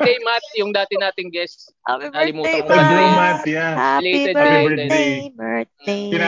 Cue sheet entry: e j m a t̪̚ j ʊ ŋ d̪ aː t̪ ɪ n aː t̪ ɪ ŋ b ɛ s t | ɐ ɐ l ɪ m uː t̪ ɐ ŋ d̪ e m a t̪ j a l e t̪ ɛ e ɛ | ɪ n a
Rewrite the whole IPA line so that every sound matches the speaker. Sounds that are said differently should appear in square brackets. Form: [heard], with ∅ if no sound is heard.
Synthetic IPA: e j m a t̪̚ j ʊ ŋ d̪ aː t̪ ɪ n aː t̪ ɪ ŋ [ɡ] ɛ s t | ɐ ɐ l ɪ m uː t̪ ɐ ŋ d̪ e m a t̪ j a l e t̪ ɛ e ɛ | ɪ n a